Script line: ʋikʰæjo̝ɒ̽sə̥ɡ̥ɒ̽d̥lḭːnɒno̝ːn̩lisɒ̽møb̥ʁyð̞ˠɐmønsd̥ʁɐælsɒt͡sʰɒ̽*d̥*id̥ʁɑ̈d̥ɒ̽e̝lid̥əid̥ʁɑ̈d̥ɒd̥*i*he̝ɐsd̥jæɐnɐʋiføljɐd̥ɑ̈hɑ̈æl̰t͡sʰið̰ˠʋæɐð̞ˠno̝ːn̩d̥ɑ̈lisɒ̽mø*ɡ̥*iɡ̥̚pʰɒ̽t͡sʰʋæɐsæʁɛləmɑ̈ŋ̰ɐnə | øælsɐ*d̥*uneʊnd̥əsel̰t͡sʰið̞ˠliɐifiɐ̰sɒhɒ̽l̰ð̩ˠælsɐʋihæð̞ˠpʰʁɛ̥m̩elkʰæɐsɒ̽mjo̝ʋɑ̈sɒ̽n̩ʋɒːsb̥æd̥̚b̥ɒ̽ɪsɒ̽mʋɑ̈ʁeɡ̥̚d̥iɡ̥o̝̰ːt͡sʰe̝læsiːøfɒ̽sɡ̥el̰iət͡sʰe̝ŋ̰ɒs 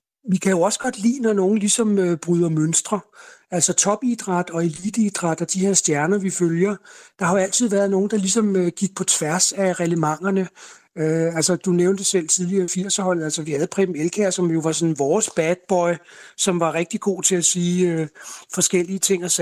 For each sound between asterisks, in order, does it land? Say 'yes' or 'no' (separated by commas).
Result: no, yes, yes, yes